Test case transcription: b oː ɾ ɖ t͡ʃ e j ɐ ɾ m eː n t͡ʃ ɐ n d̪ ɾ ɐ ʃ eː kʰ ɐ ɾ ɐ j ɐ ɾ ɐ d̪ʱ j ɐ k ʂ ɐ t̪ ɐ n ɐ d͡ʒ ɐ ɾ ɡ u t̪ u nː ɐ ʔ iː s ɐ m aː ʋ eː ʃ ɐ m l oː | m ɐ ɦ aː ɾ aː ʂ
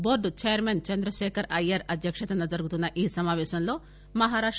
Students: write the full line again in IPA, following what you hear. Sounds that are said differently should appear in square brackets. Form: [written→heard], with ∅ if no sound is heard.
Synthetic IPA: b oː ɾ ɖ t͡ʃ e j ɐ ɾ m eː n t͡ʃ ɐ n d̪ ɾ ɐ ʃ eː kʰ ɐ ɾ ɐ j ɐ ɾ ɐ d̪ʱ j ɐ k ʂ ɐ t̪ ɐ n ɐ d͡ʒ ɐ ɾ ɡ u t̪ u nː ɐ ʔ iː s ɐ m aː ʋ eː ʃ ɐ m l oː | m ɐ ɦ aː ɾ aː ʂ